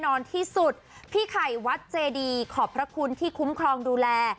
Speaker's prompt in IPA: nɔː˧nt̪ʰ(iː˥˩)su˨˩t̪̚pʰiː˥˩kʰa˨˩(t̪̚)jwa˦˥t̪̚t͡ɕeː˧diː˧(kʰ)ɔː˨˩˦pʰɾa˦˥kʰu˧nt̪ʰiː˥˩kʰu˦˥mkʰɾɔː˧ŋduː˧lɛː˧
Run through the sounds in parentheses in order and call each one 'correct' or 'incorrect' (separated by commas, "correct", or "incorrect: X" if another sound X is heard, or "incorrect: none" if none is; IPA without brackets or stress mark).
correct, incorrect: none, correct